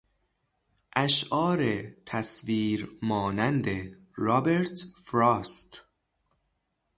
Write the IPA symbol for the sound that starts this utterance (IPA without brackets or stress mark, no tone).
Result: ʔ